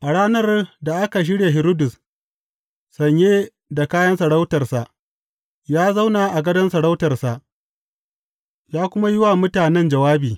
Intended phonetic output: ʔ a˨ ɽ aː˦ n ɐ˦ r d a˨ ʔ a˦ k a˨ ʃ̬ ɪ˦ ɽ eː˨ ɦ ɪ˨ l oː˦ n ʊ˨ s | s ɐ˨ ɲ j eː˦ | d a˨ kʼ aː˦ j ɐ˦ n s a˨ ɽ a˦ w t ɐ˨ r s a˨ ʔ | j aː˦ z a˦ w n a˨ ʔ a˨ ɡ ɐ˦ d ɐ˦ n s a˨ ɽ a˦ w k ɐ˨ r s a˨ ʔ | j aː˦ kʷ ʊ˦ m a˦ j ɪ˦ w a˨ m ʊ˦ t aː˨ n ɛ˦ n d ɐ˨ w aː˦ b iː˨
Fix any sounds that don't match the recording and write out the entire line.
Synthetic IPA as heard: ʔ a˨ ɽ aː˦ n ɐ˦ r d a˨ ʔ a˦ k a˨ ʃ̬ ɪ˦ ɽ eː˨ ɦ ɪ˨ ɾ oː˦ d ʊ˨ s | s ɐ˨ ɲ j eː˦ | d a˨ k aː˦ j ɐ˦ n s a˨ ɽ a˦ w t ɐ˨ r s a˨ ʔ | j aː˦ z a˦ w n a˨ ʔ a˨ ɡ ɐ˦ d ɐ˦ n s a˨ ɽ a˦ w t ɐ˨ r s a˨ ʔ | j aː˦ kʷ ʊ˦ m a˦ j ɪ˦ w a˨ m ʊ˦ t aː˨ n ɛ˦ n d͡ʒ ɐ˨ w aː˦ b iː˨